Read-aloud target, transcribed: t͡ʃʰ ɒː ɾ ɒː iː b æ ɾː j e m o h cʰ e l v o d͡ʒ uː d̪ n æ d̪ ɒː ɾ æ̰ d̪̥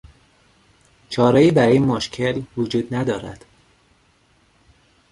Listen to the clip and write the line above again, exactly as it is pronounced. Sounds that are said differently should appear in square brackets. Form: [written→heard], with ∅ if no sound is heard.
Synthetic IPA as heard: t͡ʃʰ ɒː ɾ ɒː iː b æ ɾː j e m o [h→ʃ] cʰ e l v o d͡ʒ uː d̪ n æ d̪ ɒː ɾ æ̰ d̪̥